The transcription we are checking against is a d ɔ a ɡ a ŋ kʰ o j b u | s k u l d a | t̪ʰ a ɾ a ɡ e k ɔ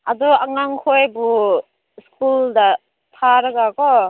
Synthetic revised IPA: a d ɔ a ŋ a ŋ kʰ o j b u | s k u l d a | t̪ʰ a ɾ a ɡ a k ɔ